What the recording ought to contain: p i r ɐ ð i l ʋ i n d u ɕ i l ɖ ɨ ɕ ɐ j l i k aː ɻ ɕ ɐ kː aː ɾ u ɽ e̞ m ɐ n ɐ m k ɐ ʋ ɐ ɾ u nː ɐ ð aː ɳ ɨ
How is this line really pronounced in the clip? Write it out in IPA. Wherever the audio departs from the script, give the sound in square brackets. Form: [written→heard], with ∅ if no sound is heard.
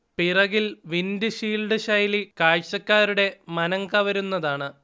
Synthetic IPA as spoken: p i r ɐ [ð→ɣ] i l ʋ i n d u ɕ [i→iː] l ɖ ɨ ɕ ɐ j l i k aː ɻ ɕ ɐ kː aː ɾ u ɽ e̞ m ɐ n ɐ [m→ŋ] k ɐ ʋ ɐ ɾ u nː ɐ ð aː ɳ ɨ